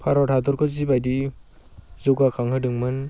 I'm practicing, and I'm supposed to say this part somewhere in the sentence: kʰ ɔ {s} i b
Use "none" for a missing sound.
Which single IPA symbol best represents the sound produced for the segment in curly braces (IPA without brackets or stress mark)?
z